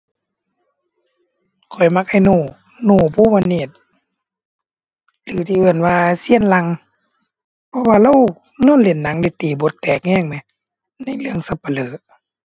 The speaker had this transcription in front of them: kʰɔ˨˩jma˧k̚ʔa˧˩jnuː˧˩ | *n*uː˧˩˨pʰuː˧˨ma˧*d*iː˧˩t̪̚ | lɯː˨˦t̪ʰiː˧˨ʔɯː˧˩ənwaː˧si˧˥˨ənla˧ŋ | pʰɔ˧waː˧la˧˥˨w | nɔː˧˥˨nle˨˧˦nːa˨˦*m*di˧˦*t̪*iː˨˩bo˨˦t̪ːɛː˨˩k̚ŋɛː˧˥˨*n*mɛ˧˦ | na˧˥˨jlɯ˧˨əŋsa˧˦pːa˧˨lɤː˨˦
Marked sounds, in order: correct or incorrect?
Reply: correct, incorrect, incorrect, correct, incorrect

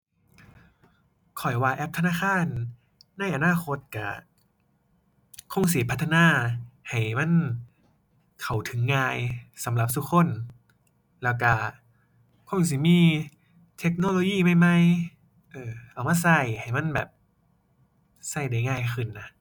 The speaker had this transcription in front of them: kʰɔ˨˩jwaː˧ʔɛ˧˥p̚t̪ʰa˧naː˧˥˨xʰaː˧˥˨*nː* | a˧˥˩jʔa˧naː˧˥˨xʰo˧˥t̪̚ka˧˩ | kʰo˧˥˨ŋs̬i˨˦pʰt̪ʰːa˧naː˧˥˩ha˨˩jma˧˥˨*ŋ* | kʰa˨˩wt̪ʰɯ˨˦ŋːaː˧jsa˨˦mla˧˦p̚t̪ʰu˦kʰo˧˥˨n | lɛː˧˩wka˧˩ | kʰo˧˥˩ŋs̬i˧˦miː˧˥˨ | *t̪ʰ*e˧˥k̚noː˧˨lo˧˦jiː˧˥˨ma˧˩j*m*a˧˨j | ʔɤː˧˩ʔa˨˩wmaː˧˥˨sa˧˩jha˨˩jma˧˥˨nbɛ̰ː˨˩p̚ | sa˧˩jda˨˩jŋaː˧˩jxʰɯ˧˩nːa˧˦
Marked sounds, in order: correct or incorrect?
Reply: correct, incorrect, correct, correct

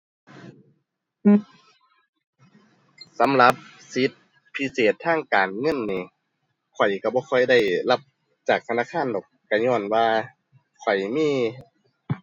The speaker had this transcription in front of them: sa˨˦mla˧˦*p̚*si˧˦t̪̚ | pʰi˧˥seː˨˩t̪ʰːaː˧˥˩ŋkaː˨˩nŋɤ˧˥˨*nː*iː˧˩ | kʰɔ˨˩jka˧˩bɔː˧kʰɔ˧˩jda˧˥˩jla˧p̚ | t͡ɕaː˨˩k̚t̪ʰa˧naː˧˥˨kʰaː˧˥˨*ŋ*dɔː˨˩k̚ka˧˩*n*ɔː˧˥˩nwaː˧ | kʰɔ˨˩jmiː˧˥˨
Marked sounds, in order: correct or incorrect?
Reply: correct, correct, incorrect, incorrect

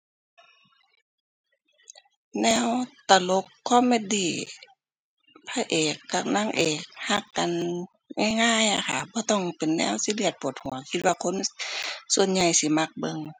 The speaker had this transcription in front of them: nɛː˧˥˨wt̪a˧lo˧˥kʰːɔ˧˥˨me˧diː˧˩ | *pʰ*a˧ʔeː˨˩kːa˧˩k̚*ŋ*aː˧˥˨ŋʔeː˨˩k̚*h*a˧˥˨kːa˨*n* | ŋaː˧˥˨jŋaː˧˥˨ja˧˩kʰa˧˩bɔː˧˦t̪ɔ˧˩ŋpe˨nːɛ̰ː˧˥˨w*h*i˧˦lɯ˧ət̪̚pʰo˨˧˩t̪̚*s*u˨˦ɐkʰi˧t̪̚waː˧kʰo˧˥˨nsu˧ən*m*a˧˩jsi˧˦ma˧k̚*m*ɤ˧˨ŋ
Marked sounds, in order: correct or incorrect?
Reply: correct, incorrect, correct, correct, incorrect, incorrect, incorrect, incorrect

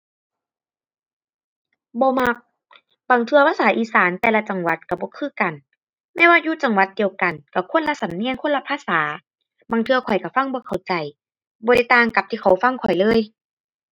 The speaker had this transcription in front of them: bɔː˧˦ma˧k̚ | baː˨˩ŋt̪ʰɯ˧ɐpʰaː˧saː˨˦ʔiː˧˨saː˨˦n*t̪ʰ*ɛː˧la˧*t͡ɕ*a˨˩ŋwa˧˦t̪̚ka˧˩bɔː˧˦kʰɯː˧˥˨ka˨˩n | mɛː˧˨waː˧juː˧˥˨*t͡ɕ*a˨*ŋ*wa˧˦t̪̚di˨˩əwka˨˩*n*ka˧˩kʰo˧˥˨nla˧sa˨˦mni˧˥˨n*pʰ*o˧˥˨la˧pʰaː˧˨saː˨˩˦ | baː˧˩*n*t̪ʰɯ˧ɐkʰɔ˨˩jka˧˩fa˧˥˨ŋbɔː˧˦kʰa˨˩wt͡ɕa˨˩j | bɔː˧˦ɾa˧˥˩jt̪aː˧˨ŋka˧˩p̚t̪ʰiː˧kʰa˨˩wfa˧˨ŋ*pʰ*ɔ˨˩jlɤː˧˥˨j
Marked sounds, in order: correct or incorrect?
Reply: incorrect, correct, correct, correct, correct, incorrect, incorrect, incorrect

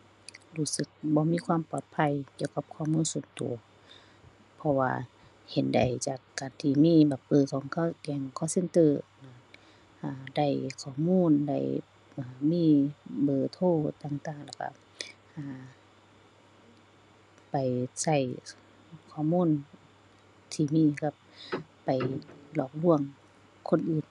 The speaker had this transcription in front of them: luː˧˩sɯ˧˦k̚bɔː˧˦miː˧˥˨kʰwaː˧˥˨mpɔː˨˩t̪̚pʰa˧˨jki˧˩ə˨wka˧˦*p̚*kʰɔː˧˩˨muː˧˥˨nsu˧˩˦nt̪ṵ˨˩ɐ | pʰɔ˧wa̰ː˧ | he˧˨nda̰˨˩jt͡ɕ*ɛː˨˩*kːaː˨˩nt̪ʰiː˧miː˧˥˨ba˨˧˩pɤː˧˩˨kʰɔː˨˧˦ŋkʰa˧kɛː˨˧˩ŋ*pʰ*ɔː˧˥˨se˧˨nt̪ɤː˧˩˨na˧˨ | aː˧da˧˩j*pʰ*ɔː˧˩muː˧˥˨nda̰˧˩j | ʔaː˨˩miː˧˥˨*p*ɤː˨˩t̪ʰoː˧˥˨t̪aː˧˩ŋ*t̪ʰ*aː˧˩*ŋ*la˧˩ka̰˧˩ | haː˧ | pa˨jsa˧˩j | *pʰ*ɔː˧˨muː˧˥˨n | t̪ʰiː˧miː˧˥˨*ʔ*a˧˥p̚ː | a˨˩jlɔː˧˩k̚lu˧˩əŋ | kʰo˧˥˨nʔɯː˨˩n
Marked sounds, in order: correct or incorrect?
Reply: correct, incorrect, incorrect, incorrect, incorrect, incorrect, correct, incorrect, incorrect

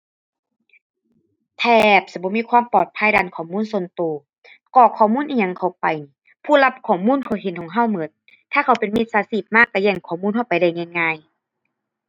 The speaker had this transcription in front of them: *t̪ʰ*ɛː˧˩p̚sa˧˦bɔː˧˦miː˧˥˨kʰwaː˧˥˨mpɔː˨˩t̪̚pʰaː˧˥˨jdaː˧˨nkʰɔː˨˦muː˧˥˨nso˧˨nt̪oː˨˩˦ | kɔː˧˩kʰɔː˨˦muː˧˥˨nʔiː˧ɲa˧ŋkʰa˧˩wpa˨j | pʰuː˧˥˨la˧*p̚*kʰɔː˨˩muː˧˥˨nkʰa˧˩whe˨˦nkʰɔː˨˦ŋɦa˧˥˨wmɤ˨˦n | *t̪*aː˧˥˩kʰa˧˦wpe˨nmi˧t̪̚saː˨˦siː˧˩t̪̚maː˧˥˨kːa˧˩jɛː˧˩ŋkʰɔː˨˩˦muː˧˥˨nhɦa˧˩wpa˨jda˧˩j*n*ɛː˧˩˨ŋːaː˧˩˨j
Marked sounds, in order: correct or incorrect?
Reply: correct, correct, incorrect, incorrect

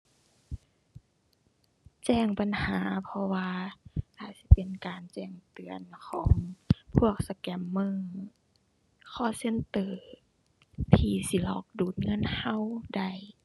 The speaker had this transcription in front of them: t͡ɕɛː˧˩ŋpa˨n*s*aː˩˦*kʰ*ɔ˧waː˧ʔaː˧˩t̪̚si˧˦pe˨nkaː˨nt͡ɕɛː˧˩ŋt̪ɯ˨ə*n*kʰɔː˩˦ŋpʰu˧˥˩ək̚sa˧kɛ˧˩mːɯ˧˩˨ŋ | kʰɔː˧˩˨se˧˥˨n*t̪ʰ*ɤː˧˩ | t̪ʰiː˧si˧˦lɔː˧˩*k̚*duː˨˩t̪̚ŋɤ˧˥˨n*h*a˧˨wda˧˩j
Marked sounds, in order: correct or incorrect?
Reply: incorrect, incorrect, correct, incorrect, correct, correct

